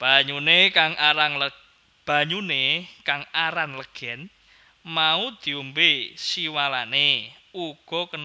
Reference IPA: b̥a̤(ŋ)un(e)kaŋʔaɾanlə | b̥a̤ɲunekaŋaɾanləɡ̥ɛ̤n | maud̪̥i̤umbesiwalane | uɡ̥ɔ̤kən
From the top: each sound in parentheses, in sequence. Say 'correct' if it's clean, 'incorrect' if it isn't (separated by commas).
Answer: incorrect, correct